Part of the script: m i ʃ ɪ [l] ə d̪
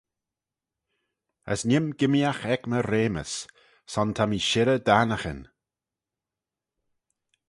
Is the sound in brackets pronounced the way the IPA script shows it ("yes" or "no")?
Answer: no